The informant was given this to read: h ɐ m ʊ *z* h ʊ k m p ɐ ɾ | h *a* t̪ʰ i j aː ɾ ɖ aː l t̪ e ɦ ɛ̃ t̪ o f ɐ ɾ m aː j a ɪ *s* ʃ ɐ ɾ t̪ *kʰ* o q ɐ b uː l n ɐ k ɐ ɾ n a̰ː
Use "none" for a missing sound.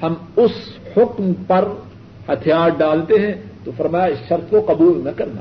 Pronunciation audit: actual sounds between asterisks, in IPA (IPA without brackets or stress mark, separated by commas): s, ɐ, s, k